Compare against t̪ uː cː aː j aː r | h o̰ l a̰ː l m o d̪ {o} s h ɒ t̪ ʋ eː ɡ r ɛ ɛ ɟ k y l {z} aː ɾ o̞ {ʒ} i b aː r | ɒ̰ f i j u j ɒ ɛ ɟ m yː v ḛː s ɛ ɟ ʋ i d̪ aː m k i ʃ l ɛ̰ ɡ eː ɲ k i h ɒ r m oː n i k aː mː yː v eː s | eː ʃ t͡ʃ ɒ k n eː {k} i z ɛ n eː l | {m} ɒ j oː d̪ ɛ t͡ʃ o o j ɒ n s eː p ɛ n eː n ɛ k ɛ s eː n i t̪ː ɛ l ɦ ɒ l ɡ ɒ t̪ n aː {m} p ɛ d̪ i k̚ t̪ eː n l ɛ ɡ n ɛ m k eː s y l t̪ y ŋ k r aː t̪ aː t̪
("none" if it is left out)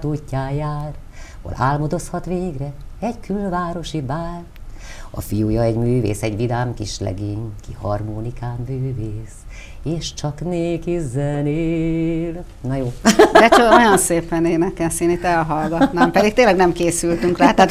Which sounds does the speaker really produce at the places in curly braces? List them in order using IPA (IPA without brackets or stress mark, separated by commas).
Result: o, v, ʃ, k, n, m